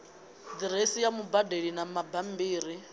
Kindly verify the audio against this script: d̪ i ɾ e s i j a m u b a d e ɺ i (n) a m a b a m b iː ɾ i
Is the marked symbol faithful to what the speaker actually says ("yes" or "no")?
yes